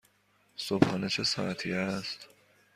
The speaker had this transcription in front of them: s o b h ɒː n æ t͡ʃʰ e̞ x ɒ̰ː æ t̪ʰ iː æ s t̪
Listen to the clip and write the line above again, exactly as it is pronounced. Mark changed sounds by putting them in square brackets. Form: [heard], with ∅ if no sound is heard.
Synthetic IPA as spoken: s o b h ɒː n [e] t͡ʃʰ e̞ [s] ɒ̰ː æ t̪ʰ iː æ s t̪